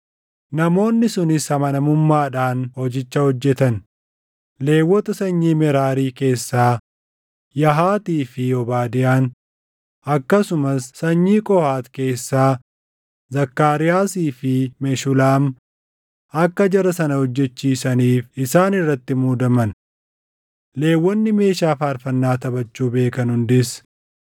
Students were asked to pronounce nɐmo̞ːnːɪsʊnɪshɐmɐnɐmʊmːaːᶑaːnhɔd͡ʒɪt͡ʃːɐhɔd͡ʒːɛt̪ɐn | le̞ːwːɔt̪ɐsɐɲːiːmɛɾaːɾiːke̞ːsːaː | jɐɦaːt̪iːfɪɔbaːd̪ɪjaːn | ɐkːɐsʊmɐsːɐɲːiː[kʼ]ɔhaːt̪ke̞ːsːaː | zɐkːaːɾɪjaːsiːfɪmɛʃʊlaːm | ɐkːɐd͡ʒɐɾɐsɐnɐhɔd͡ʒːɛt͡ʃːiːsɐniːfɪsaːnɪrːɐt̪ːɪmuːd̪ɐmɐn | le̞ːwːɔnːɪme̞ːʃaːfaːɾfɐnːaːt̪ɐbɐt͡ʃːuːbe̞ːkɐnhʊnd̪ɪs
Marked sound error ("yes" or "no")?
no